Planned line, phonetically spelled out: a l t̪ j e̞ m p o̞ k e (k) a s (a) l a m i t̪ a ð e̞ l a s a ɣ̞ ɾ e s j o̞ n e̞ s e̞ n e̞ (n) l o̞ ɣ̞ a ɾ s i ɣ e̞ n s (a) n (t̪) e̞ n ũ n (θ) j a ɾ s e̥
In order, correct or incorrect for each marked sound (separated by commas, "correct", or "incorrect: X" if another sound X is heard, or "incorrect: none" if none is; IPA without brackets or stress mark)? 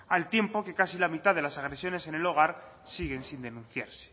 correct, incorrect: i, incorrect: none, incorrect: i, incorrect: d̪, correct